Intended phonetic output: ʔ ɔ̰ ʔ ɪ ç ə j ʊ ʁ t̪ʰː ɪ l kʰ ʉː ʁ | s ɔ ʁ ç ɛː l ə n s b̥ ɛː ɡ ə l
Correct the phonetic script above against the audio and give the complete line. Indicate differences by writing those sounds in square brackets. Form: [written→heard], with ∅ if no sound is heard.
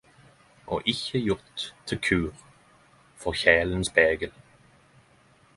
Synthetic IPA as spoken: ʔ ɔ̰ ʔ ɪ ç ə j ʊ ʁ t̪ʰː ɪ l kʰ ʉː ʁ | [s→f] ɔ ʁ ç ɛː l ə n s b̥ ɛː ɡ ə l